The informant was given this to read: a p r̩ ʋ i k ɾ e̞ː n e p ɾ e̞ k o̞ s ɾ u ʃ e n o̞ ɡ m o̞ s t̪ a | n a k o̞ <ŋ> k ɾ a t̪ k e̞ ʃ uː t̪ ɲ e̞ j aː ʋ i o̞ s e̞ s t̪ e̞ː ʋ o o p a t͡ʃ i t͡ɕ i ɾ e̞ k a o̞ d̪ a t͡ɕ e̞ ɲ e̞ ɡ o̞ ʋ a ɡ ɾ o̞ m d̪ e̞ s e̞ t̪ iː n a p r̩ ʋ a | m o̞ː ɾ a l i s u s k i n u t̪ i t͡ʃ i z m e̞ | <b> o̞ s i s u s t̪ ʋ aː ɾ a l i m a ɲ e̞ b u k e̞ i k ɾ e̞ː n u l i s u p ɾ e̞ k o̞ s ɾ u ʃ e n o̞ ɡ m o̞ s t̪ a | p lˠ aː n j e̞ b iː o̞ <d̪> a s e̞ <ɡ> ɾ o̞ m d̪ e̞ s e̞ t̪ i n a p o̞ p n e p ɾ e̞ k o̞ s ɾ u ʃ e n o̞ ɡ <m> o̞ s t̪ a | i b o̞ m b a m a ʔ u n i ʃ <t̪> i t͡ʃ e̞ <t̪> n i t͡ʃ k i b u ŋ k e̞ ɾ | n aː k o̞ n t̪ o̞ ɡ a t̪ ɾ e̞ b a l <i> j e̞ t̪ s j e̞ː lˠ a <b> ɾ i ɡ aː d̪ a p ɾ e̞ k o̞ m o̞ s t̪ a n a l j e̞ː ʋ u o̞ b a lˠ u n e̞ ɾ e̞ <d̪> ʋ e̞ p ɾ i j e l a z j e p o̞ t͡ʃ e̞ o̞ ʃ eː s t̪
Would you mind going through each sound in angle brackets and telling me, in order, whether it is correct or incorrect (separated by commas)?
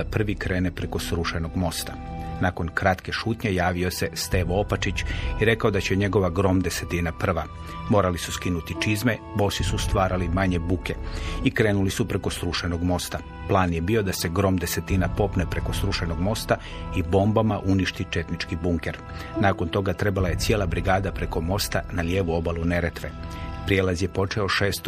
incorrect, correct, correct, correct, correct, correct, correct, incorrect, correct, incorrect